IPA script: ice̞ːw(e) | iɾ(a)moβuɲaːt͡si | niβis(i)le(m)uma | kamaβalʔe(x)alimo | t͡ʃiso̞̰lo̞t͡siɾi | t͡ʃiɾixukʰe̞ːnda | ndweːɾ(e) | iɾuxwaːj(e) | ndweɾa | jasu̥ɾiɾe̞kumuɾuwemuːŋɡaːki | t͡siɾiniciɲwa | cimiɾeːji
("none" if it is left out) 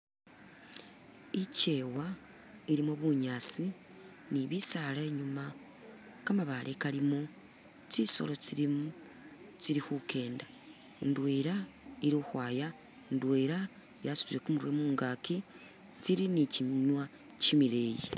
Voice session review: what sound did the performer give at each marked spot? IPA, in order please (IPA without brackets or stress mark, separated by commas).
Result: a, i, a, ɲ, k, a, a